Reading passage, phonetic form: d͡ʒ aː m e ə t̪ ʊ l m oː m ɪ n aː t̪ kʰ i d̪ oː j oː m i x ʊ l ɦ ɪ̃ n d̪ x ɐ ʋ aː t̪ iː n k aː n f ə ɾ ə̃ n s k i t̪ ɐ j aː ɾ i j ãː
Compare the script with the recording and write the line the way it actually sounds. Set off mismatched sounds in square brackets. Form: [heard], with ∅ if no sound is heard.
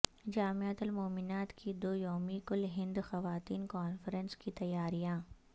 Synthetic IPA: d͡ʒ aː m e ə t̪ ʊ l m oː m ɪ n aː t̪ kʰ i d̪ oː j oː m i [k] ʊ l ɦ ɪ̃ n d̪ x ɐ ʋ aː t̪ iː n k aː n f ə ɾ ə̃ n s k i t̪ ɐ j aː ɾ i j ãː